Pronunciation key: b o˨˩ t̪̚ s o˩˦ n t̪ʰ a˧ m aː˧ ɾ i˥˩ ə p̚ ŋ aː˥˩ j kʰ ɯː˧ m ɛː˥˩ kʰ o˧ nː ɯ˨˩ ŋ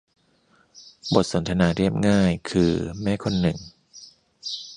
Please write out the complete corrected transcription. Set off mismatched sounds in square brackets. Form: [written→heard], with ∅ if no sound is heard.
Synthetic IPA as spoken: b o˨˩ t̪̚ s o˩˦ n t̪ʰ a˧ [m→n] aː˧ ɾ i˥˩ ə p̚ ŋ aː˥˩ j kʰ ɯː˧ m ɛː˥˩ kʰ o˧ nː ɯ˨˩ ŋ